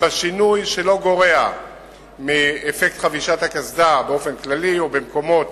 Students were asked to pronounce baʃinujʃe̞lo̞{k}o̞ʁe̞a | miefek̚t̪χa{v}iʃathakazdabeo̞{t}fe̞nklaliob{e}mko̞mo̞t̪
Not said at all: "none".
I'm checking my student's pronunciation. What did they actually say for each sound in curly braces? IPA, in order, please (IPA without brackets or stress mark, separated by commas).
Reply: ɡ, v, none, e